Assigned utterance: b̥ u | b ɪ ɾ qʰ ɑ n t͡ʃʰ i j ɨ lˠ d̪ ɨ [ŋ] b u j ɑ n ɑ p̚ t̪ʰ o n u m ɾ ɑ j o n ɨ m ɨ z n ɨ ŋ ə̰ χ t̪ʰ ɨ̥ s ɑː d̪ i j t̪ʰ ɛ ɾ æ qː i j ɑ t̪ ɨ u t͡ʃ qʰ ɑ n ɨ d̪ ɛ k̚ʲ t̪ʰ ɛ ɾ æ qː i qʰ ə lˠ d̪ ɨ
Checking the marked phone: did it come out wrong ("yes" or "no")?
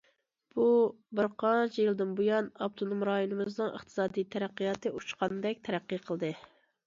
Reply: yes